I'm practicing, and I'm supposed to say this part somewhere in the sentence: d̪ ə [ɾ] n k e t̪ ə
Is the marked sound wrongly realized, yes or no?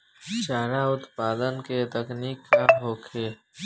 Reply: yes